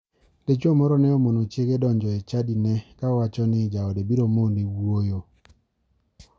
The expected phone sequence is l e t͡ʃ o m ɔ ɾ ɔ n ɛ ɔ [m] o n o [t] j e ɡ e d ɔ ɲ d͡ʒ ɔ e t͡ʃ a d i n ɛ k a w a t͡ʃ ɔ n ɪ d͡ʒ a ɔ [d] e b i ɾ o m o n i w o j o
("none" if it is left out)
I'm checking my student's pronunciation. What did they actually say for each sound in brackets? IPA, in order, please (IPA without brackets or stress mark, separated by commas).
m, t͡ʃ, d